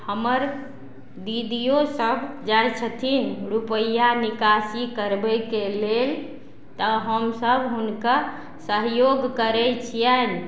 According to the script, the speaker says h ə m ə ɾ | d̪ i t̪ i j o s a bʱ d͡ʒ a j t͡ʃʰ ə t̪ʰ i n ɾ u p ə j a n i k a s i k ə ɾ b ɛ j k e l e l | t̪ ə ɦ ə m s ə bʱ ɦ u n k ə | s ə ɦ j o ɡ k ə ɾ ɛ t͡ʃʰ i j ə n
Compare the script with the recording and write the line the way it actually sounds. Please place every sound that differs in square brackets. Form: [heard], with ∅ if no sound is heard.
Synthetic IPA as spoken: h ə m ə ɾ | d̪ i [d̪] i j o s [ə] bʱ d͡ʒ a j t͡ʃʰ ə t̪ʰ i n ɾ u p ə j a n i k a s i k ə ɾ b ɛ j k e l e l | t̪ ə ɦ ə m s ə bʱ ɦ u n k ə | s ə ɦ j o ɡ k ə ɾ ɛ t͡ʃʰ i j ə n